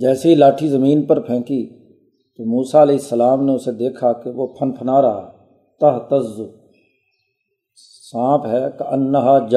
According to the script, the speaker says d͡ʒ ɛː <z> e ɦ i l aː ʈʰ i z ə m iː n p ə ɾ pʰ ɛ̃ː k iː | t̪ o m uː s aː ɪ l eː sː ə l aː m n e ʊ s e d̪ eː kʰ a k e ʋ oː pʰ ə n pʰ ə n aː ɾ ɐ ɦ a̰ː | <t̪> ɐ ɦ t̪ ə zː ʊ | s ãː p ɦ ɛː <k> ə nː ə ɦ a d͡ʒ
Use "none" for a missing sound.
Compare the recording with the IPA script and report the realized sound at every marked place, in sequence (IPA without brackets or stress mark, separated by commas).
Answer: s, t̪, k